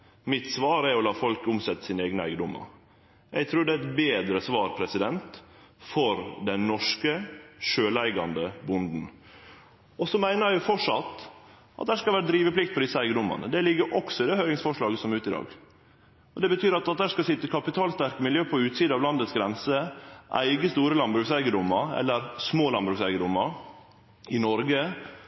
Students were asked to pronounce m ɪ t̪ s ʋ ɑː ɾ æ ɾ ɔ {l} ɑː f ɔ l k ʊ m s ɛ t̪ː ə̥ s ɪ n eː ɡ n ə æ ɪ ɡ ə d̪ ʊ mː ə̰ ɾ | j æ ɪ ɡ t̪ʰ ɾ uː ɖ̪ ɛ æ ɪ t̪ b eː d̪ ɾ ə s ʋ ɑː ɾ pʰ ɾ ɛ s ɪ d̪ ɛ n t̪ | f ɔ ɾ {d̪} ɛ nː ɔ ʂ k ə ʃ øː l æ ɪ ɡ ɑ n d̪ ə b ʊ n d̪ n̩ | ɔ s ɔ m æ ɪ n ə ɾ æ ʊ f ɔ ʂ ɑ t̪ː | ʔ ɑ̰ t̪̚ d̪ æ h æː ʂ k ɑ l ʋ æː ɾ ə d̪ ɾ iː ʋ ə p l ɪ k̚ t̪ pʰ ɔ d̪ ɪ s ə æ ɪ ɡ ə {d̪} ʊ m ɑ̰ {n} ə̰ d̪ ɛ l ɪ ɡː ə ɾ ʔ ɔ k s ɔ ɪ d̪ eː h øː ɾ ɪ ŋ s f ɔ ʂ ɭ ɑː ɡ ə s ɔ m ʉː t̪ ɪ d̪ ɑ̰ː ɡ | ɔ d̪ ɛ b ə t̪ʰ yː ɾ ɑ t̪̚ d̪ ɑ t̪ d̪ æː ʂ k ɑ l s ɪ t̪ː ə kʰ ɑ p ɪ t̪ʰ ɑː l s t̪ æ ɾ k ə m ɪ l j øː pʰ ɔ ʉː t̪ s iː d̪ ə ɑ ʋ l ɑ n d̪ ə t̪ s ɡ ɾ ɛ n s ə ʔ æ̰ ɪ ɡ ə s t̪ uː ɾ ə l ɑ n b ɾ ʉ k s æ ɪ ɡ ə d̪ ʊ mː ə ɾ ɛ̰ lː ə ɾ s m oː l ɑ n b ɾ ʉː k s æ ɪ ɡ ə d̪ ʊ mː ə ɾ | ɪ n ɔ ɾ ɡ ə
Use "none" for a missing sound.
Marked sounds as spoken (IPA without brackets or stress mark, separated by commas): l, d̪, d̪, n